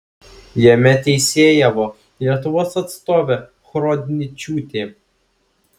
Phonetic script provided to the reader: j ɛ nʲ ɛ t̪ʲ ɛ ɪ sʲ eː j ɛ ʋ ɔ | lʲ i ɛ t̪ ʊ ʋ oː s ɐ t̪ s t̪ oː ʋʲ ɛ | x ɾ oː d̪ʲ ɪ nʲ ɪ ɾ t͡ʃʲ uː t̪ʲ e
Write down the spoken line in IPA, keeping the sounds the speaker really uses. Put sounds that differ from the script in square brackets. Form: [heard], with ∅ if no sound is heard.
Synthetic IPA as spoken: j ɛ [mʲ] ɛ t̪ʲ ɛ ɪ sʲ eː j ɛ ʋ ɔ | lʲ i ɛ t̪ ʊ ʋ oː s ɐ t̪ s t̪ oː ʋʲ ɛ | x ɾ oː d̪ʲ ɪ nʲ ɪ [∅] t͡ʃʲ uː t̪ʲ e